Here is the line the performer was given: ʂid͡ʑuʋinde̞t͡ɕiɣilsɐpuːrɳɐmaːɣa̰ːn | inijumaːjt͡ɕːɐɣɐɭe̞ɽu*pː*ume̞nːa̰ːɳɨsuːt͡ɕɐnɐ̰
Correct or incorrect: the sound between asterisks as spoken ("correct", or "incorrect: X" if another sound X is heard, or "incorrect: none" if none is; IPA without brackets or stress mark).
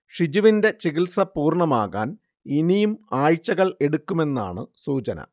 incorrect: kː